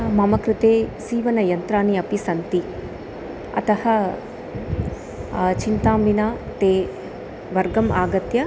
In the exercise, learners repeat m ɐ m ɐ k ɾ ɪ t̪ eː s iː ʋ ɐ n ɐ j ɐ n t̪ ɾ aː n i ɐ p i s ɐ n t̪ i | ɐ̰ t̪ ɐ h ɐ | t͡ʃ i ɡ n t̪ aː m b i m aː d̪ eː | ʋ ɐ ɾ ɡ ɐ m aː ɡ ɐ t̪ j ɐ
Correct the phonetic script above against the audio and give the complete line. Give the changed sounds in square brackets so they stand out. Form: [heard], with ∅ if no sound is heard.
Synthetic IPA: m ɐ m ɐ k ɾ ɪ t̪ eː s iː ʋ ɐ n ɐ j ɐ n t̪ ɾ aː n i ɐ p i s ɐ n t̪ i | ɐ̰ t̪ ɐ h ɐ | t͡ʃ i [∅] n t̪ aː m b i [n] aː [t̪] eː | ʋ ɐ ɾ ɡ ɐ m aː ɡ ɐ t̪ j ɐ

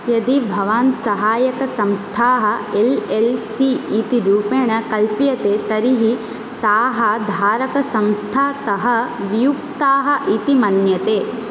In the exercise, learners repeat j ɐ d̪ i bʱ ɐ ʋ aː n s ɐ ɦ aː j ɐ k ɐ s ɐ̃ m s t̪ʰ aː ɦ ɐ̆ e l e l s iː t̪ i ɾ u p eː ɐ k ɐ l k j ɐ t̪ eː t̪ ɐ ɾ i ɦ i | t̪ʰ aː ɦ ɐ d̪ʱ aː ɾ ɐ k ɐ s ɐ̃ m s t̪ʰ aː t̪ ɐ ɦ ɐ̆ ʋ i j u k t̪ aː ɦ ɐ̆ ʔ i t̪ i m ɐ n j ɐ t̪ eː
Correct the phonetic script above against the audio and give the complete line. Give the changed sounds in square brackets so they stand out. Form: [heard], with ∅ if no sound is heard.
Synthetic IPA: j ɐ d̪ i bʱ ɐ ʋ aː n s ɐ ɦ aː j ɐ k ɐ s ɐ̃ m s t̪ʰ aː ɦ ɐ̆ e l e l s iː t̪ i ɾ [uː] p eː ɐ k ɐ l [p] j ɐ t̪ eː t̪ ɐ ɾ i ɦ i | [t̪] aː ɦ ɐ d̪ʱ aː ɾ ɐ k ɐ s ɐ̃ m s t̪ʰ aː t̪ ɐ ɦ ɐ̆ ʋ i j u k t̪ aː ɦ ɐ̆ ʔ i t̪ i m ɐ n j ɐ t̪ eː

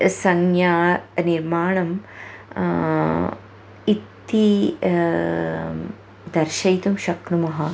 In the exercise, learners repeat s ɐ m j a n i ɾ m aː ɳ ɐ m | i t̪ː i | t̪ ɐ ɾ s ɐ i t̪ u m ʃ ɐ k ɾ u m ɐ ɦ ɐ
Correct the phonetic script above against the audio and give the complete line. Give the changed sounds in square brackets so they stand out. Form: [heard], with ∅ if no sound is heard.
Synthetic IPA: s ɐ [ŋ] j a n i ɾ m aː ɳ ɐ m | i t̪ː i | [d̪] ɐ ɾ [ʃ] ɐ [j] t̪ u m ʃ ɐ k ɾ u m ɐ ɦ ɐ

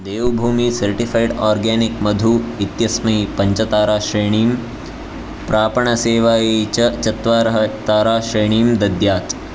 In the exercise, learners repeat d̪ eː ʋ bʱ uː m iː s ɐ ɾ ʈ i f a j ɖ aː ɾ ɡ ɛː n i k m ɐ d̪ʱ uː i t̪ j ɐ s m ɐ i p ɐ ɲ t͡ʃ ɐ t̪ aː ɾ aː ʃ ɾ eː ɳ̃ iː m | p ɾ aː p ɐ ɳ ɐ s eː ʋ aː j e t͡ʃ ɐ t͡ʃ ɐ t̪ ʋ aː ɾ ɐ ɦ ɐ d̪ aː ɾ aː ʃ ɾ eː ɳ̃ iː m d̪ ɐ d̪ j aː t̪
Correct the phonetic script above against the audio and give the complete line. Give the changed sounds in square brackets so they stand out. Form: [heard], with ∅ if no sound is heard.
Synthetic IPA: d̪ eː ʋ bʱ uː m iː s ɐ ɾ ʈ i f a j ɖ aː ɾ ɡ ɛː n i k m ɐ d̪ʱ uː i t̪ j ɐ s m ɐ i p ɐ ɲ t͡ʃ ɐ t̪ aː ɾ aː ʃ ɾ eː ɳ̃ iː m | p ɾ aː p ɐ ɳ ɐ s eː ʋ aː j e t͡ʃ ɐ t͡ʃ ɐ t̪ ʋ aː ɾ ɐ ɦ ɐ [t̪] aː ɾ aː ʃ ɾ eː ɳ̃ iː m d̪ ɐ d̪ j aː t̪

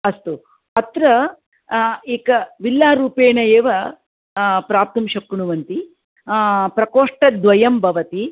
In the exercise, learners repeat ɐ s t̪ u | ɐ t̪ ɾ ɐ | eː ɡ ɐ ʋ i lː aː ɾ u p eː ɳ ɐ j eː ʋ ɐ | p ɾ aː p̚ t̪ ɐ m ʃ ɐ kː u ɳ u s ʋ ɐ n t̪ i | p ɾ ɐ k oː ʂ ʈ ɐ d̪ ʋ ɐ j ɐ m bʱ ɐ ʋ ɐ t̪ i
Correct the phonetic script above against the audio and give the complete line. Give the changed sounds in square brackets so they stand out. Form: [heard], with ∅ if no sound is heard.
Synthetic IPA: ɐ s t̪ u | ɐ t̪ ɾ ɐ | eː [k] ɐ ʋ i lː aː ɾ [uː] p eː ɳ ɐ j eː ʋ ɐ | p ɾ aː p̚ t̪ ɐ m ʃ ɐ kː u ɳ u [∅] ʋ ɐ n t̪ i | p ɾ ɐ k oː ʂ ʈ ɐ d̪ ʋ ɐ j ɐ m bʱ ɐ ʋ ɐ t̪ i

